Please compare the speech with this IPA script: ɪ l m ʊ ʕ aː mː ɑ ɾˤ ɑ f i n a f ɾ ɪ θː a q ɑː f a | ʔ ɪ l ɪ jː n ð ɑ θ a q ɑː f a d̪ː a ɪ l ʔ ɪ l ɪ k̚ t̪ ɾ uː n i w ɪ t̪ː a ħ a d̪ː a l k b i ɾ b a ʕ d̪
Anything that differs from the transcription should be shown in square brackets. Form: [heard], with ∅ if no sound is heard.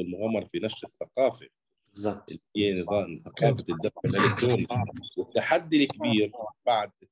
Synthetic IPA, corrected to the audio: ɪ l m ʊ [ɣ] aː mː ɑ ɾˤ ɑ f i n a [ʃ] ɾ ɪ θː a q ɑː f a | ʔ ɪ l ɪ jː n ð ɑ θ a q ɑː f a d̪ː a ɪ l ʔ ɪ l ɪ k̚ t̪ ɾ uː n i w ɪ t̪ː a ħ a d̪ː [i] l k b [iː] ɾ b a ʕ d̪